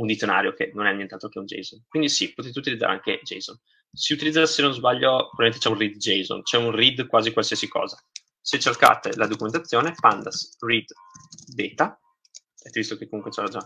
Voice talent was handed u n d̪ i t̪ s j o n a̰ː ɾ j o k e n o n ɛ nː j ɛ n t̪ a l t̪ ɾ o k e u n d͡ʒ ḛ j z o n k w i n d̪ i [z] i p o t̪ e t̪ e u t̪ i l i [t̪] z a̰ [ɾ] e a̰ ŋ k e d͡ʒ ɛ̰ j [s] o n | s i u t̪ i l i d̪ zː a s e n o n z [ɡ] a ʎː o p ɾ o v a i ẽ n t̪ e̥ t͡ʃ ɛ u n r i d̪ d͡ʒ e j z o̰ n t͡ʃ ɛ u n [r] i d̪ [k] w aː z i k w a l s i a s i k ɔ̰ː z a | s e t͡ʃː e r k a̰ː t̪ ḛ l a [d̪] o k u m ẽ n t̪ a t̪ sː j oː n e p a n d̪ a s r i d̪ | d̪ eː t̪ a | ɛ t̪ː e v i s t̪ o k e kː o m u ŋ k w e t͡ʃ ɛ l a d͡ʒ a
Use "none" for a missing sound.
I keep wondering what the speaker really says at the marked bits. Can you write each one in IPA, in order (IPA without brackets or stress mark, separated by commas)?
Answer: s, d̪, ɾ, z, b, r, k, d̪